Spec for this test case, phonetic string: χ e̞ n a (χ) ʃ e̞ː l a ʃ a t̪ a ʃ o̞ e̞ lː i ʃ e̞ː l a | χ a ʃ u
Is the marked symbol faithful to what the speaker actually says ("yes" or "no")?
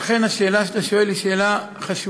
no